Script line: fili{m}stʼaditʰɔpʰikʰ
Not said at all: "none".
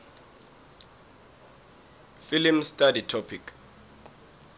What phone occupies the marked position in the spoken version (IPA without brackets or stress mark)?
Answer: m